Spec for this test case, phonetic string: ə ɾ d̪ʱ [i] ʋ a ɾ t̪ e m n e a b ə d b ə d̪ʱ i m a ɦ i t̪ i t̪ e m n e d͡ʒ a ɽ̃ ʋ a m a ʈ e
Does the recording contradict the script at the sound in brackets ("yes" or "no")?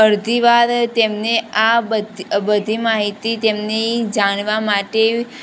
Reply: no